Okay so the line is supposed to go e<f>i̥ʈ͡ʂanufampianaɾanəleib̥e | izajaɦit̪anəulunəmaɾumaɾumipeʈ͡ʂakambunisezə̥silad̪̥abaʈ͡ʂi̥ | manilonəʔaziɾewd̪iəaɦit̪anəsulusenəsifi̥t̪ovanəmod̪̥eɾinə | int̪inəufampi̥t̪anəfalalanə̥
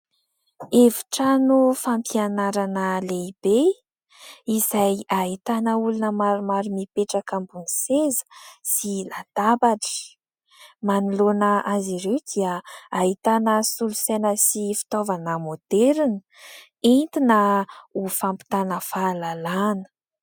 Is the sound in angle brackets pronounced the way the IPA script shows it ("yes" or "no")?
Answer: no